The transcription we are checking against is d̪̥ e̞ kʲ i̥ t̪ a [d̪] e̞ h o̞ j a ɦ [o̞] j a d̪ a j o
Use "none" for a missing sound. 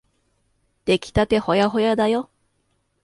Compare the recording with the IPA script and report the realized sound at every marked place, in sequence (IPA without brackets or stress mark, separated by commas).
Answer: t̪, o̞